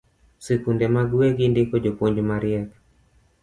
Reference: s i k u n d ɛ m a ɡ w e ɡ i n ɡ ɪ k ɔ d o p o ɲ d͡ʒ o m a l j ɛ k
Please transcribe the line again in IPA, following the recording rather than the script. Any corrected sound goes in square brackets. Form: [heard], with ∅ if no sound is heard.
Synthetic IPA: s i k u n d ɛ m a ɡ w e ɡ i n [d] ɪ k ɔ [d͡ʒ] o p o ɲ d͡ʒ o m a [ɾ] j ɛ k